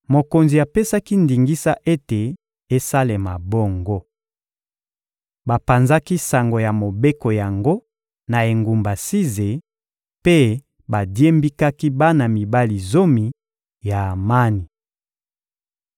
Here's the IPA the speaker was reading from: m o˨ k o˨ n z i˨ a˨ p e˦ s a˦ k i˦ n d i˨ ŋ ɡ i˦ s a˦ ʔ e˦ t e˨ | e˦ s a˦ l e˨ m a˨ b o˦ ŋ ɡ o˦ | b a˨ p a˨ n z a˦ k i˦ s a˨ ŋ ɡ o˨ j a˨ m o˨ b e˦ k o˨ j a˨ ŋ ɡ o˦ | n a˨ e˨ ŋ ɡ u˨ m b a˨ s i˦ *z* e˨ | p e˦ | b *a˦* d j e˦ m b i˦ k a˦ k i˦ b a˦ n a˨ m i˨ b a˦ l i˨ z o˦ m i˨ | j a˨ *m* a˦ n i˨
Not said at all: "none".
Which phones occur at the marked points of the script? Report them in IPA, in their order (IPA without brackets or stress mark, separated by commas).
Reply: z, a˨, m